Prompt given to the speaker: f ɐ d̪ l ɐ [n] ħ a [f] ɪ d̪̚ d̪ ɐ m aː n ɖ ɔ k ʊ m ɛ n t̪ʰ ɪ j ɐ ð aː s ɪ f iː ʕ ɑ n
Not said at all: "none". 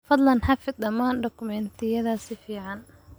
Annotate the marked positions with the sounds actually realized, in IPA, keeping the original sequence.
n, f

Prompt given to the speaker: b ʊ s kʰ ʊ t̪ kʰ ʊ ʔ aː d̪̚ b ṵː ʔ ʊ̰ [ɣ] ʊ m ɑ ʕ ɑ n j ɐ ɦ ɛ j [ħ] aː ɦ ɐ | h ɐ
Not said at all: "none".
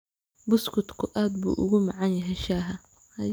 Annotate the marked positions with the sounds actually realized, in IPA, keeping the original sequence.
ɣ, ʃ

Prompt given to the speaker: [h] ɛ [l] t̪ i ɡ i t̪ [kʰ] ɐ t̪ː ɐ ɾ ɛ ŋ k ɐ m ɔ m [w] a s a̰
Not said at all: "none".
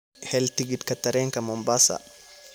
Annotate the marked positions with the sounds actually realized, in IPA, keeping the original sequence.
h, l, k, b

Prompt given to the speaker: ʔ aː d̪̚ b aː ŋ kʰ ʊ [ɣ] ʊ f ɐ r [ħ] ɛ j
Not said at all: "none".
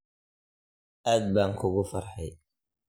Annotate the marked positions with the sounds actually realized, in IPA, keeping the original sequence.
ɣ, ħ

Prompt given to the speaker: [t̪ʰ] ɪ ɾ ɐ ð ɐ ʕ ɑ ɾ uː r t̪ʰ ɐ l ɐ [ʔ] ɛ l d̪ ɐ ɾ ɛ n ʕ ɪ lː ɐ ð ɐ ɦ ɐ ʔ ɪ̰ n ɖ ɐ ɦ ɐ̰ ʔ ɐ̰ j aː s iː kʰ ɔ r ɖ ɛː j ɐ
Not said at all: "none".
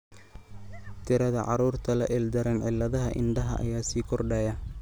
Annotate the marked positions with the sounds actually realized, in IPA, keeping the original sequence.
t̪ʰ, ʔ

